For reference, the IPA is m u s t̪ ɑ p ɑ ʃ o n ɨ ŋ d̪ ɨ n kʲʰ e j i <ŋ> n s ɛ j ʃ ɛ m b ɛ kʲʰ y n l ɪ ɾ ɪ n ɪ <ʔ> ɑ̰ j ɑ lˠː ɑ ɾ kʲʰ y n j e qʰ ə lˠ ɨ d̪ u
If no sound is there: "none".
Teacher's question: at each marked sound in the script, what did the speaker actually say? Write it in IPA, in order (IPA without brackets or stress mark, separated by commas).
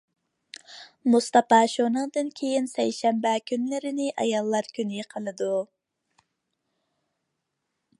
none, ʔ